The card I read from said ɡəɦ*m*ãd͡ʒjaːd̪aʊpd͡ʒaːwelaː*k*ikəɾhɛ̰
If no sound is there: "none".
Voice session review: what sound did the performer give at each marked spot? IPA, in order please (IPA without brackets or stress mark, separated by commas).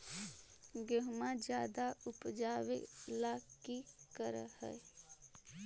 m, k